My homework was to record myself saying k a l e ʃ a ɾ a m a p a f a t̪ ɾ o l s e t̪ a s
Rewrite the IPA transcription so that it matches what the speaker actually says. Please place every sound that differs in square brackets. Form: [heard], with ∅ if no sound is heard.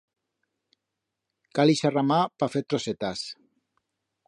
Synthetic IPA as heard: k a l [i] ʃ a [r] a m a p a f [e] t̪ ɾ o [∅] s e t̪ a s